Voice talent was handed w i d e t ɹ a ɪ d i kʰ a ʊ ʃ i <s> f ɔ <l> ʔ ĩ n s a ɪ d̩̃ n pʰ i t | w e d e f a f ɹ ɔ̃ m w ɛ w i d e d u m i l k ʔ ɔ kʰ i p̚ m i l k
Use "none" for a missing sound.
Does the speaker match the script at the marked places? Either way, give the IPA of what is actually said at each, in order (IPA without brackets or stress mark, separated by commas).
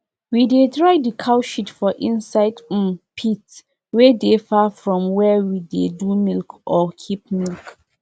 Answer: t, none